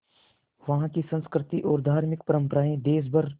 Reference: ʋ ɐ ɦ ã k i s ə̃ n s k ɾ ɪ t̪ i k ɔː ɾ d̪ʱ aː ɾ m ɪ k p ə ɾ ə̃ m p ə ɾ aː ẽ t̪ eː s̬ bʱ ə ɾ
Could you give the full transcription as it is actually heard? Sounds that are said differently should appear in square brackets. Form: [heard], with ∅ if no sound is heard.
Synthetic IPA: ʋ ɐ ɦ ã k i s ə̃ n s k ɾ ɪ t̪ i [ʔ] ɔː ɾ d̪ʱ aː ɾ m ɪ k p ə ɾ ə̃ m p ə ɾ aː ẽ [d̪] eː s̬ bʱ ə ɾ